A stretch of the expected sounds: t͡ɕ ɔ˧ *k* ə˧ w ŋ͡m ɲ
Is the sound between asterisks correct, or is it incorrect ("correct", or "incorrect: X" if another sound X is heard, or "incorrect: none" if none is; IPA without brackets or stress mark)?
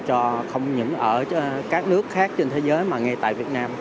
incorrect: x